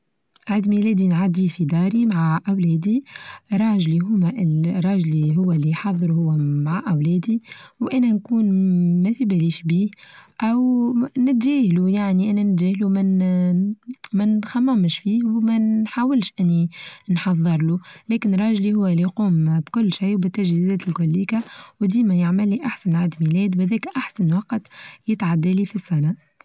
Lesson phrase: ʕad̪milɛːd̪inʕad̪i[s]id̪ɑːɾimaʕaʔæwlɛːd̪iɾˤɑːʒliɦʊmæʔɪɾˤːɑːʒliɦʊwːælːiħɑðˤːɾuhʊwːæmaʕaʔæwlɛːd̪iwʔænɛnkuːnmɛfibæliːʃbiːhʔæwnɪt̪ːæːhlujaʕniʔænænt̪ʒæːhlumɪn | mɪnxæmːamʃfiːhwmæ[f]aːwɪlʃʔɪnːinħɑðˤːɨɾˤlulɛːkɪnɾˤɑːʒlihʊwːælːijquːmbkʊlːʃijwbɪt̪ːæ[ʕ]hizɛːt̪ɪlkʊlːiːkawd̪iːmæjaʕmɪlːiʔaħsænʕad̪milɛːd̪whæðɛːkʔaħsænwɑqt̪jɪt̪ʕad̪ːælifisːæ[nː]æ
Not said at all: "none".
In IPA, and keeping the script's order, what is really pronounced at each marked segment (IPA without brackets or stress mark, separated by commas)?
f, ħ, ʒ, n